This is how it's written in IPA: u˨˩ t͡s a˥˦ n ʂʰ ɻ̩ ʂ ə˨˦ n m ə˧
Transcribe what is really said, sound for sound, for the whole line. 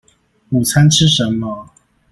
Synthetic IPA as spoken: u˨˩ t͡sʰ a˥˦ n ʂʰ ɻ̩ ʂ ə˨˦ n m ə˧